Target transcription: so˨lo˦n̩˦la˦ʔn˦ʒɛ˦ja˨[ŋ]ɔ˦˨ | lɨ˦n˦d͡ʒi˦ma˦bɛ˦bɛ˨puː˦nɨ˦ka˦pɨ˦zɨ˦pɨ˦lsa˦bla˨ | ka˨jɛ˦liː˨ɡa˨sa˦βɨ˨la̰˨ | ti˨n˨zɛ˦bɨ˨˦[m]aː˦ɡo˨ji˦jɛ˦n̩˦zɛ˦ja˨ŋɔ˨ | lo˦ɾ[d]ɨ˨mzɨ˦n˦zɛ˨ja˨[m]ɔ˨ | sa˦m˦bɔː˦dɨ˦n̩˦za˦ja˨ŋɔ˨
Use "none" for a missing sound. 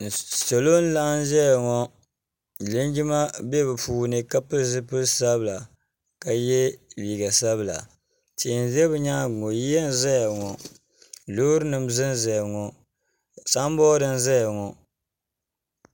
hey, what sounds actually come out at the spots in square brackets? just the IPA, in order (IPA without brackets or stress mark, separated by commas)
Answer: ŋ, ɲ, n, ŋ